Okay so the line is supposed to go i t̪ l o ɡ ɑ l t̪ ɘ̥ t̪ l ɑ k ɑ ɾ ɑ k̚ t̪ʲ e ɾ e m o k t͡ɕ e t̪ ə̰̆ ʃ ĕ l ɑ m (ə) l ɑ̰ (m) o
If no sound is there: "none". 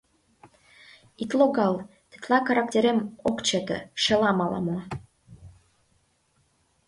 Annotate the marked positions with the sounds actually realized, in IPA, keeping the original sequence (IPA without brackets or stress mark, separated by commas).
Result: ɑ, m